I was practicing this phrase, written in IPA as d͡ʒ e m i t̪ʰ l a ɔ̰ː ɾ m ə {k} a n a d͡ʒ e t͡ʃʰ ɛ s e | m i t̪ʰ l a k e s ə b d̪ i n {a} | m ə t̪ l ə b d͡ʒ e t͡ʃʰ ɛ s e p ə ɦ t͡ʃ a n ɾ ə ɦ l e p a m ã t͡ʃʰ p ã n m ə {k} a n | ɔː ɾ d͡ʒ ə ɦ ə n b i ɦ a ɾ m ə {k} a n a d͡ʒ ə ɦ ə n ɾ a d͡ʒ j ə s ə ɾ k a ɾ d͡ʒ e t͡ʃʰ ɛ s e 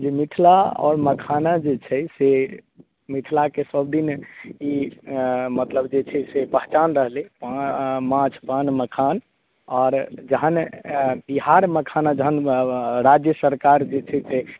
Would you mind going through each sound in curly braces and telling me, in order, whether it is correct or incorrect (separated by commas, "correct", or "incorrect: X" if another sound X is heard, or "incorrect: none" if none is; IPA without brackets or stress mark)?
incorrect: kʰ, incorrect: i, incorrect: kʰ, incorrect: kʰ